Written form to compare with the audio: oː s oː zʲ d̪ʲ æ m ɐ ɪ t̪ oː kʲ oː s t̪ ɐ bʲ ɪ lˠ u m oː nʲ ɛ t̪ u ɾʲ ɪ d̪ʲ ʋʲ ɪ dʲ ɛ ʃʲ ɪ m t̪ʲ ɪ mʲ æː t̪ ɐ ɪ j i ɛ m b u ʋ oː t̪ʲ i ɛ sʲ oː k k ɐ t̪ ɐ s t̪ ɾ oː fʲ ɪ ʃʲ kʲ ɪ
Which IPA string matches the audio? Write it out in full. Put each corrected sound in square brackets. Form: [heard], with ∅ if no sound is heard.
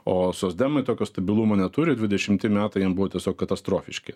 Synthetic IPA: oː s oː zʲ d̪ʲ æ m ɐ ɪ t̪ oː kʲ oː s t̪ ɐ bʲ ɪ lˠ u m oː nʲ ɛ t̪ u ɾʲ ɪ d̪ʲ ʋʲ ɪ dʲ ɛ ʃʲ ɪ m t̪ʲ ɪ mʲ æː t̪ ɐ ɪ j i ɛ m b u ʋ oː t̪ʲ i ɛ sʲ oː k k ɐ t̪ ɐ s t̪ ɾ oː fʲ ɪ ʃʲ kʲ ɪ